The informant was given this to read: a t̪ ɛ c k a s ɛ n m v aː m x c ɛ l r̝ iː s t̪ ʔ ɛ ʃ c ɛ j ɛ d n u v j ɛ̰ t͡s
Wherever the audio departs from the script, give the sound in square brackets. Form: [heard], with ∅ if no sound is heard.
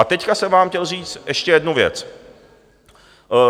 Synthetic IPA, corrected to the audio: a t̪ ɛ c k a s ɛ [∅] m v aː m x c ɛ l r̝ iː [t͡s] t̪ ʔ ɛ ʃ c ɛ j ɛ d n u v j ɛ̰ t͡s

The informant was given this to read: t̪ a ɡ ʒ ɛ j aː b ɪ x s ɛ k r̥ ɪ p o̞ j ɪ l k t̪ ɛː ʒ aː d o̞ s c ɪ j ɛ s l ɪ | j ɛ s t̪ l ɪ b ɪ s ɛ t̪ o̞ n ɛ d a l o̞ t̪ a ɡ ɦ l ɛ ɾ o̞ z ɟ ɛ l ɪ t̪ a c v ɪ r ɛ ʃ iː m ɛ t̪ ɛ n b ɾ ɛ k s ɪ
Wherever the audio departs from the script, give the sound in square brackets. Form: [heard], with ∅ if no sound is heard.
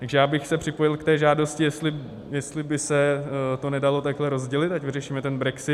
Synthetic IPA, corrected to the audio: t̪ a ɡ ʒ ɛ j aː b ɪ x s ɛ [p] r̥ ɪ p o̞ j ɪ l k t̪ ɛː ʒ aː d o̞ s c ɪ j ɛ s l ɪ | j ɛ s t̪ l ɪ b ɪ s ɛ t̪ o̞ n ɛ d a l o̞ t̪ a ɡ ɦ l ɛ ɾ o̞ z ɟ ɛ l ɪ t̪ a c v ɪ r ɛ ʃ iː m ɛ t̪ ɛ n b ɾ ɛ k s ɪ

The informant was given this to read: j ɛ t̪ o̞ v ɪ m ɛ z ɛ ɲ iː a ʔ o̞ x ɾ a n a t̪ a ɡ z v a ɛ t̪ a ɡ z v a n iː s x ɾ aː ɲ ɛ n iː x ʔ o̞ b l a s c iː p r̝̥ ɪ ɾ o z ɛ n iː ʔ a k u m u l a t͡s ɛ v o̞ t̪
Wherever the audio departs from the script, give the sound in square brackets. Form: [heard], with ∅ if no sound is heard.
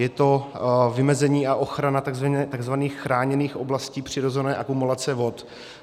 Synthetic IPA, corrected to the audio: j ɛ t̪ o̞ v ɪ m ɛ z ɛ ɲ iː a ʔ o̞ x ɾ a n a t̪ a ɡ z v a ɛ t̪ a ɡ z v a n iː [x] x ɾ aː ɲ ɛ n iː x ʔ o̞ b l a s c iː p r̝̥ ɪ ɾ o z ɛ n [ɛː] ʔ a k u m u l a t͡s ɛ v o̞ t̪

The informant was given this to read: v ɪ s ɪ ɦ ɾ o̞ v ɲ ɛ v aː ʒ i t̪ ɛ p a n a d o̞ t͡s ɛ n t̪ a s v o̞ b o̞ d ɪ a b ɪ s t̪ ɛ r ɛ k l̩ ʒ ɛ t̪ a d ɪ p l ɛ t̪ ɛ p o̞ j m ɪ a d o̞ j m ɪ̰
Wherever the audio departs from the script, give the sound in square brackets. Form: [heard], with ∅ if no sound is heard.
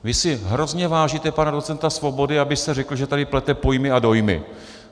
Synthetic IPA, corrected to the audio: v ɪ s ɪ ɦ ɾ o̞ [z] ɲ ɛ v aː ʒ i t̪ ɛ p a n a d o̞ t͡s ɛ n t̪ a s v o̞ b o̞ d ɪ a b ɪ s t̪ ɛ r ɛ k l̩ ʒ ɛ t̪ a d ɪ p l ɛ t̪ ɛ p o̞ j m ɪ a d o̞ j m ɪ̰

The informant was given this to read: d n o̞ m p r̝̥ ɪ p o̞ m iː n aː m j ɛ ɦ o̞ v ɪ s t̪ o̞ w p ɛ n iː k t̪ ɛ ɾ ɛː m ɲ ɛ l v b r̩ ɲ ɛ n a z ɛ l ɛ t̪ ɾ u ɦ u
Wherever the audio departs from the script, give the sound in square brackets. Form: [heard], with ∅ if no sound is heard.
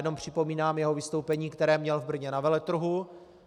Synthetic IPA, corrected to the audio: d n o̞ m p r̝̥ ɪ p o̞ m iː n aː m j ɛ ɦ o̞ v ɪ s t̪ o̞ w p ɛ [ɲ] iː k t̪ ɛ ɾ ɛː m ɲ ɛ l v b r̩ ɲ ɛ n a [v] ɛ l ɛ t̪ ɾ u ɦ u

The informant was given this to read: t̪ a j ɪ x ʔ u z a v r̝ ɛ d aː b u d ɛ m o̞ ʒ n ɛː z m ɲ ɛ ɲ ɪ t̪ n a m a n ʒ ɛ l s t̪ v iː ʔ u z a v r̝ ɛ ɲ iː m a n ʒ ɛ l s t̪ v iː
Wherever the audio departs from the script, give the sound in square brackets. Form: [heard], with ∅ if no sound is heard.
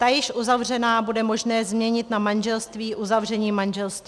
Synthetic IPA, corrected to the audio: t̪ a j ɪ [ʃ] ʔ u z a v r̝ ɛ [n] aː b u d ɛ m o̞ ʒ n ɛː z m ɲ ɛ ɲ ɪ t̪ n a m a n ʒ ɛ l s t̪ v iː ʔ u z a v r̝ ɛ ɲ iː m a n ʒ ɛ l s t̪ v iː

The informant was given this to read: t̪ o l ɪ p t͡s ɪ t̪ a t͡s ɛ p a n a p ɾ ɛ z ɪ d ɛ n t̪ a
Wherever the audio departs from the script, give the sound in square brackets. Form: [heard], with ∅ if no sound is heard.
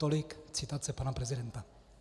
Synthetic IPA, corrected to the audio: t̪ o l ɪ [k] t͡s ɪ t̪ a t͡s ɛ p a n a p ɾ ɛ z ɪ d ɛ n t̪ a

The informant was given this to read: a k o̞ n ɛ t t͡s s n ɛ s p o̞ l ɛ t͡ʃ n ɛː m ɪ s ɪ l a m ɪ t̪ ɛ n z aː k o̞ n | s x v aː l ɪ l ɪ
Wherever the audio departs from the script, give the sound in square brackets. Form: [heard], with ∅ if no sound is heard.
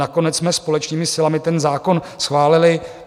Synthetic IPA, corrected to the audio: a k o̞ n ɛ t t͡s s [m] ɛ s p o̞ l ɛ t͡ʃ n [iː] m ɪ s ɪ l a m ɪ t̪ ɛ n z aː k o̞ n | s x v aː l ɪ l ɪ

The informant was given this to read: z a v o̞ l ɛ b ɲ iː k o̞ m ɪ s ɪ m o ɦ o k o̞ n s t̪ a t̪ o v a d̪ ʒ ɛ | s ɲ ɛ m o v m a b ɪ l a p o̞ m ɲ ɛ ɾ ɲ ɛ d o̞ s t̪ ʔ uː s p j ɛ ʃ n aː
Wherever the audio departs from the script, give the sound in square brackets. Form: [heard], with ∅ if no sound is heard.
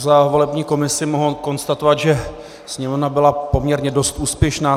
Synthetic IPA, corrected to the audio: z a v o̞ l ɛ b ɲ iː k o̞ m ɪ s ɪ m o ɦ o k o̞ n s t̪ a t̪ o v a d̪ ʒ ɛ | s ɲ ɛ m o v [n] a b ɪ l a p o̞ m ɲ ɛ ɾ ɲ ɛ d o̞ s t̪ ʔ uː s p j ɛ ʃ n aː

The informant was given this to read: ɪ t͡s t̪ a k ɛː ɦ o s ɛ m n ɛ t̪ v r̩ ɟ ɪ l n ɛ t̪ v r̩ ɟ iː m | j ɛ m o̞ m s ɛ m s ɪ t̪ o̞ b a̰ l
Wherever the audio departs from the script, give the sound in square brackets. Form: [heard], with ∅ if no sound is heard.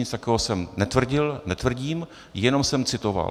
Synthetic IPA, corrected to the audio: ɪ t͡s t̪ a k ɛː ɦ o s ɛ m n ɛ t̪ v r̩ ɟ ɪ l n ɛ t̪ v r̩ ɟ iː m | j ɛ [n] o̞ m s ɛ m [t͡s] ɪ t̪ o̞ [v] a̰ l

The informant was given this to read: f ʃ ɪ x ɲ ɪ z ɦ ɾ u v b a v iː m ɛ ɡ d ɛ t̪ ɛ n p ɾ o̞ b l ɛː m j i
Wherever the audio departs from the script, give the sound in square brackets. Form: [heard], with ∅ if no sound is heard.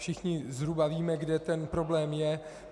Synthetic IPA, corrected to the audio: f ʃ ɪ x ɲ ɪ z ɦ ɾ u [∅] b a v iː m ɛ ɡ d ɛ t̪ ɛ n p ɾ o̞ b l ɛː m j [ɛ]

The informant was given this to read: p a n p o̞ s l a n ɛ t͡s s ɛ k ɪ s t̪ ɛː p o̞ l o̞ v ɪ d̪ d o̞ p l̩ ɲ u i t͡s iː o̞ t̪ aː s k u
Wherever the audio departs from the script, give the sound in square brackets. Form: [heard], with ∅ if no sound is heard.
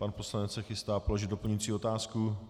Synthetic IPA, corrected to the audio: p a n p o̞ s l a n ɛ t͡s s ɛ [x] ɪ s t̪ [aː] p o̞ l o̞ [ʒ] ɪ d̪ d o̞ p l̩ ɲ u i t͡s iː o̞ t̪ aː s k u

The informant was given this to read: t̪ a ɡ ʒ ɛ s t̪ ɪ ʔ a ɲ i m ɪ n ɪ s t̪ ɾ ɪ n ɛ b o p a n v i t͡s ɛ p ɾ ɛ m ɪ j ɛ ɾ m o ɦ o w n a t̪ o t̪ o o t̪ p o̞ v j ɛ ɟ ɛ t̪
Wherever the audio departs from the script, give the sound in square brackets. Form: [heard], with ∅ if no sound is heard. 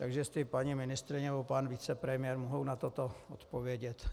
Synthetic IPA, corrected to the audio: t̪ a ɡ ʒ ɛ s t̪ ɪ [p] a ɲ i m ɪ n ɪ s t̪ ɾ ɪ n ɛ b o p a n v i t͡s ɛ p ɾ ɛ m ɪ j ɛ ɾ m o ɦ o w n a t̪ o t̪ o o t̪ p o̞ v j ɛ ɟ ɛ t̪

